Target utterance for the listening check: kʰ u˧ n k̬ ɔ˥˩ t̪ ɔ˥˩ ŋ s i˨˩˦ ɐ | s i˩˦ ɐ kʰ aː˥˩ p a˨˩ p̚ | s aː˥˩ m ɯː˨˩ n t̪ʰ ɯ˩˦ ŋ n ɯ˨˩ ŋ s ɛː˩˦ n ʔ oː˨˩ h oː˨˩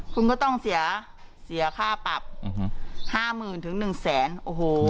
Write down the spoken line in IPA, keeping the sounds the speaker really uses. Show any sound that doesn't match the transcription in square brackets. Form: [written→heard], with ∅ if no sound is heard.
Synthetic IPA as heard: kʰ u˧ n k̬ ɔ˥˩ t̪ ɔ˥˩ ŋ s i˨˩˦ ɐ | s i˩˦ ɐ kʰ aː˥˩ p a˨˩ p̚ | [s→h] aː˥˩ m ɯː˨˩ n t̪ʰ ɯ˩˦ ŋ n ɯ˨˩ ŋ s ɛː˩˦ n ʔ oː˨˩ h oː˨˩